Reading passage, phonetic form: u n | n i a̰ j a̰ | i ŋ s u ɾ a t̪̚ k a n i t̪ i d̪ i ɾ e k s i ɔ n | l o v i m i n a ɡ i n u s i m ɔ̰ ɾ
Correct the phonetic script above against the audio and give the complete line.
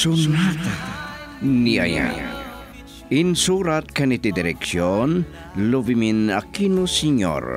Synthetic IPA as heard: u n | n i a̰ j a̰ | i n s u ɾ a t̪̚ k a n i t̪ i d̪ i ɾ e k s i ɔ n | l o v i m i n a k i n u s i ɲ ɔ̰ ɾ